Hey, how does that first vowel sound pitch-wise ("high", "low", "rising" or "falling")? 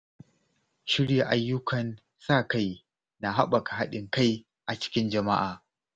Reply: high